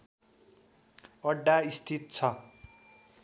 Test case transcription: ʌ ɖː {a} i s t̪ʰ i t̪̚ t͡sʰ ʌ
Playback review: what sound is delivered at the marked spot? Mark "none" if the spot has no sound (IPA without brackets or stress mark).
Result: a